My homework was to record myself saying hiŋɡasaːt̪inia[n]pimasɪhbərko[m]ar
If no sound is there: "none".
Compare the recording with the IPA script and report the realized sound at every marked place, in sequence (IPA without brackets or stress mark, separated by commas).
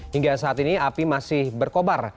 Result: none, b